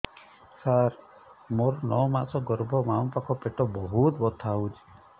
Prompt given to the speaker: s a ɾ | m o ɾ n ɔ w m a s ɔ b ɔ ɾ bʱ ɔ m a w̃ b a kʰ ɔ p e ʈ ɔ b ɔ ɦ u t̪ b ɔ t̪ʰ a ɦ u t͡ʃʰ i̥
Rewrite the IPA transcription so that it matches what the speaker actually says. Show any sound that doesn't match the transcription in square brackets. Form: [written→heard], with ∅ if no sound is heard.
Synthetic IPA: s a ɾ | m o ɾ n ɔ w m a s ɔ [b→ɡ] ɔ ɾ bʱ ɔ m a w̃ [b→p] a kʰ ɔ p e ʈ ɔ b ɔ ɦ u t̪ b ɔ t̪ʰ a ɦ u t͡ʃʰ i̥

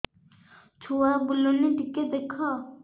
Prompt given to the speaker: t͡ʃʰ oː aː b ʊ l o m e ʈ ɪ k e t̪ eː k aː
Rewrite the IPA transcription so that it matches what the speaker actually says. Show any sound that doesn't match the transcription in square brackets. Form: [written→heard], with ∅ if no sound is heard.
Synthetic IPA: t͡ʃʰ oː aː b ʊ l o [m→n] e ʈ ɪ k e [t̪→d̪] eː [k→kʰ] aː

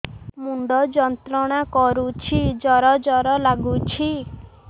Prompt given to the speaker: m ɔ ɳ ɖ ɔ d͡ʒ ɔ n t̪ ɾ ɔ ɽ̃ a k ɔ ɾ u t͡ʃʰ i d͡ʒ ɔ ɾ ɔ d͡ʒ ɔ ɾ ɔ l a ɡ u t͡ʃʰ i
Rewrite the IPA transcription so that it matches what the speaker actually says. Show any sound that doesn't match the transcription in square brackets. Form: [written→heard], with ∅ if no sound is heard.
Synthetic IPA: m [ɔ→u] ɳ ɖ ɔ d͡ʒ ɔ n t̪ ɾ ɔ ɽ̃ a k ɔ ɾ u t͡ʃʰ i d͡ʒ ɔ ɾ ɔ d͡ʒ ɔ ɾ ɔ l a ɡ u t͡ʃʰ i

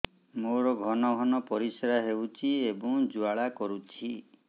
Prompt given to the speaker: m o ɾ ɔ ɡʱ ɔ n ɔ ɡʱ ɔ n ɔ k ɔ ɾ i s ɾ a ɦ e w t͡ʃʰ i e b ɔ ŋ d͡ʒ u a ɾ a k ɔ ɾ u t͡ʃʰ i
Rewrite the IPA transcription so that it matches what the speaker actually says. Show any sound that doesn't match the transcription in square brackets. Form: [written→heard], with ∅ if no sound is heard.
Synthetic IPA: m o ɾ ɔ ɡʱ ɔ n ɔ ɡʱ ɔ n ɔ [k→p] ɔ ɾ i s ɾ a ɦ e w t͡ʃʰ i e b ɔ ŋ d͡ʒ u a [ɾ→ɭ] a k ɔ ɾ u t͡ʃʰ i

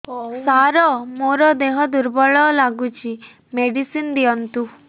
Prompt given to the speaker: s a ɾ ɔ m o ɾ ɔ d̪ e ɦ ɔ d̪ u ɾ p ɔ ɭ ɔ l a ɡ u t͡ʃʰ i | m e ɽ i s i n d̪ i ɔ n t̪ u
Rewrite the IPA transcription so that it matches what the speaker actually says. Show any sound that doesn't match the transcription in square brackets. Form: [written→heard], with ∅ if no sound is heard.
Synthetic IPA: s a ɾ ɔ m o ɾ ɔ d̪ e ɦ ɔ d̪ u ɾ [p→b] ɔ ɭ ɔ l a ɡ u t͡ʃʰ i | m e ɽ i s i n d̪ i ɔ n t̪ u

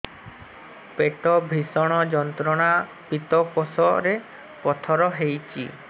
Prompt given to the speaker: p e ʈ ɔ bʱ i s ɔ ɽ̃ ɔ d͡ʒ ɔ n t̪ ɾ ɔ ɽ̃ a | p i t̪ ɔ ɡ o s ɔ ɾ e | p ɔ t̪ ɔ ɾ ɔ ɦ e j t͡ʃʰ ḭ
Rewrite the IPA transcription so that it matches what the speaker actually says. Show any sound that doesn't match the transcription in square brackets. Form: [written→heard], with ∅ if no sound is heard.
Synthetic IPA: p e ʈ ɔ bʱ i s ɔ ɽ̃ ɔ d͡ʒ ɔ n t̪ ɾ ɔ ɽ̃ a | p i t̪ ɔ [ɡ→k] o s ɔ ɾ e | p ɔ [t̪→t̪ʰ] ɔ ɾ ɔ ɦ e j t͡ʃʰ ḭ

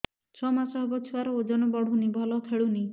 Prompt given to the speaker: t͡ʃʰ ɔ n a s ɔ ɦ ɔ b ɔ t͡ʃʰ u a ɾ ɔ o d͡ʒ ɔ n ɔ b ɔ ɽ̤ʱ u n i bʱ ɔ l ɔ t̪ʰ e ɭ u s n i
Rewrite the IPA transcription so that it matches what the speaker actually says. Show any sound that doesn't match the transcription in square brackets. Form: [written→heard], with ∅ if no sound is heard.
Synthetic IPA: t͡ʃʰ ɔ [n→m] a s ɔ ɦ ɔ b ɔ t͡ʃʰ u a ɾ ɔ o d͡ʒ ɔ n ɔ b ɔ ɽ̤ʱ u n i bʱ ɔ l ɔ t̪ʰ e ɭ u [s→∅] n i

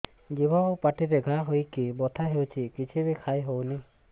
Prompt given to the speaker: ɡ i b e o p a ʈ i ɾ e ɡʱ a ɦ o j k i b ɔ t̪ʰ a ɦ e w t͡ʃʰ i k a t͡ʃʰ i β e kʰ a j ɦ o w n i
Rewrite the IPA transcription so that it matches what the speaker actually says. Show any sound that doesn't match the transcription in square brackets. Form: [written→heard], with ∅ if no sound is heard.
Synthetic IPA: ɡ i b [e→a] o p a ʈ i ɾ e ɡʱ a ɦ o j k i b ɔ t̪ʰ a ɦ e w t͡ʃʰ i k [a→i] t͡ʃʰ i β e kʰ a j ɦ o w n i

